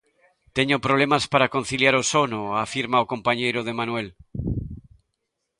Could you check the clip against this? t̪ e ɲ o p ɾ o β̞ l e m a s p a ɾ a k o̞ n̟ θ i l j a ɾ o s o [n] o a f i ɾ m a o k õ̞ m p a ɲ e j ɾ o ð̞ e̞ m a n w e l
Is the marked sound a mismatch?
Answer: no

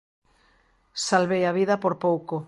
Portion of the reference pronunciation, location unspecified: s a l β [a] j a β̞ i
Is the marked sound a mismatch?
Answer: yes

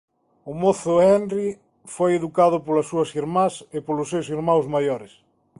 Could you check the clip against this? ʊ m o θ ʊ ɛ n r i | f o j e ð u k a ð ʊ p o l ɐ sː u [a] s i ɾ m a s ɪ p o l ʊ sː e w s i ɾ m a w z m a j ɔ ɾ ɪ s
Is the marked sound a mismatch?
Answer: yes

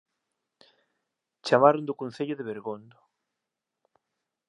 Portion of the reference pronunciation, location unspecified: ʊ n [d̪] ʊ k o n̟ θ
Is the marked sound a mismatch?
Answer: no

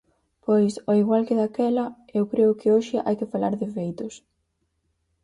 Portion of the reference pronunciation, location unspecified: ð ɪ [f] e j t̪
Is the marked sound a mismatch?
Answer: no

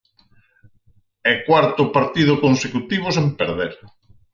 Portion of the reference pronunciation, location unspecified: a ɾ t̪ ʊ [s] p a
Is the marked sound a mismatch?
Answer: yes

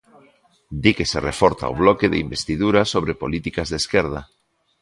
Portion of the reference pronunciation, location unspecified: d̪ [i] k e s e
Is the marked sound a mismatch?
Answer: no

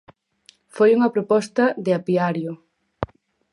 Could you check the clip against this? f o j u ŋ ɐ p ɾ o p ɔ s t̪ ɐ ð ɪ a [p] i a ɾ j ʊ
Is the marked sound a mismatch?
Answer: no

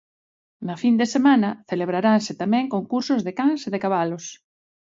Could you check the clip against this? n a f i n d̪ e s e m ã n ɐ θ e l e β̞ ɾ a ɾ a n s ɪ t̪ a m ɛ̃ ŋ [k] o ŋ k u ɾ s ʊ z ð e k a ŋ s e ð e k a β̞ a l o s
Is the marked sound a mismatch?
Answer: no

